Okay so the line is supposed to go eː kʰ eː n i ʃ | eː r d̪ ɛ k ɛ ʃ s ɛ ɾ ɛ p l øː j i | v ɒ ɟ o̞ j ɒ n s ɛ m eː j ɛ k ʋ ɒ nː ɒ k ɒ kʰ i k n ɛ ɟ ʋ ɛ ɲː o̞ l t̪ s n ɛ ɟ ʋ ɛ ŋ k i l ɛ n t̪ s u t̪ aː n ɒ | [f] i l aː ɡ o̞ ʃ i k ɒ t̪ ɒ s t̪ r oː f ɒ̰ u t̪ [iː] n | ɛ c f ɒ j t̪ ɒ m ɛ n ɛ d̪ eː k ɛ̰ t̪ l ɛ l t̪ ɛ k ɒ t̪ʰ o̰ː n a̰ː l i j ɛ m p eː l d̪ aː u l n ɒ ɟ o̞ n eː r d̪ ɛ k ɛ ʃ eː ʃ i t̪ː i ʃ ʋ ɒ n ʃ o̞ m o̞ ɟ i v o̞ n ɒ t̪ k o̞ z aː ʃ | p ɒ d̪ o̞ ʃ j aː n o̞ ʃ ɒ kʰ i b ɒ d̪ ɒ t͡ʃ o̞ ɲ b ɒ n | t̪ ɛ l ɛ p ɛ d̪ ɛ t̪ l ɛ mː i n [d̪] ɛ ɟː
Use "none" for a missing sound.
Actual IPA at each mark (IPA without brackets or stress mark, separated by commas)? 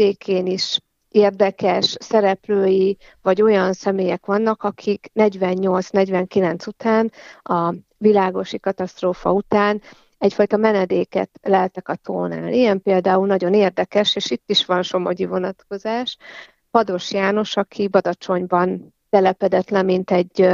v, aː, t̪